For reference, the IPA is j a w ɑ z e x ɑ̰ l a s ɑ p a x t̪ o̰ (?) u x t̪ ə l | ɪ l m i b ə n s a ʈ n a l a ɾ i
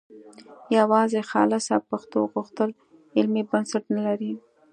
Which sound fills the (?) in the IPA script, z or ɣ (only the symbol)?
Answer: ɣ